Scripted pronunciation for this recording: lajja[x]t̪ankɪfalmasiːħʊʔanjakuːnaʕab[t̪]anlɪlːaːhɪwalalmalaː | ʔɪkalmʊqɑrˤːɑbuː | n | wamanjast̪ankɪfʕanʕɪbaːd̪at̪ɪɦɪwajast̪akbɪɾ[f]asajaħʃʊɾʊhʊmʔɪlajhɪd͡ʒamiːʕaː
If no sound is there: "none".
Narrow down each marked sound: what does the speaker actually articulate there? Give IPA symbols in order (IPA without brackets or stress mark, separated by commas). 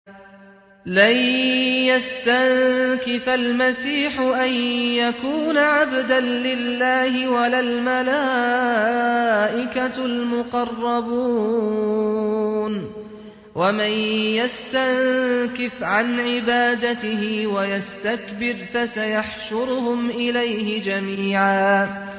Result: s, d̪, f